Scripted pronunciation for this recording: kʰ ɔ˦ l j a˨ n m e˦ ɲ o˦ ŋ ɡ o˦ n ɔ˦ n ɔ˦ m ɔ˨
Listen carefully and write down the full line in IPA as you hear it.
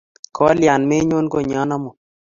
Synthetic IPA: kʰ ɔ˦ l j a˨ n m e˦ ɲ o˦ n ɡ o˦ ɲ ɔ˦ n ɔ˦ m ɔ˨